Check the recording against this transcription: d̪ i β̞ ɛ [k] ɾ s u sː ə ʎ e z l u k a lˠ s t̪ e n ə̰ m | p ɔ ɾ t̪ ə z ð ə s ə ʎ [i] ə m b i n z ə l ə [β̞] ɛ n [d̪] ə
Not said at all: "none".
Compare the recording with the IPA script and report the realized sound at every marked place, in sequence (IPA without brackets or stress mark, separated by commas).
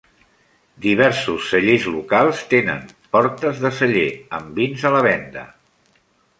none, e, β̞, d̪